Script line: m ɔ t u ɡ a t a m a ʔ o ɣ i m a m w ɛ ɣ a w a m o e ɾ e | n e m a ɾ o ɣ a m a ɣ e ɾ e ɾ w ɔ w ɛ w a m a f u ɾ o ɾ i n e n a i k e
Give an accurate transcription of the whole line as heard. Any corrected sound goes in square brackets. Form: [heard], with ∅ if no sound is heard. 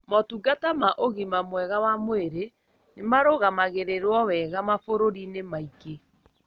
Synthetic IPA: m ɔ t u ɡ a t a m a ʔ o ɣ i m a m w ɛ ɣ a w a m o e ɾ e | n e m a ɾ o ɣ a m a ɣ e ɾ e ɾ w ɔ w ɛ [ɣ] a m a f [o] ɾ o ɾ i n e [m] a i k e